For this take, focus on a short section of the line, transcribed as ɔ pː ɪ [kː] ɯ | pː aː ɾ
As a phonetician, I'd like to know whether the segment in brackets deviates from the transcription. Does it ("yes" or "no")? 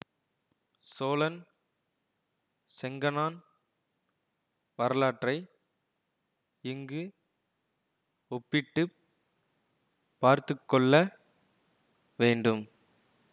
yes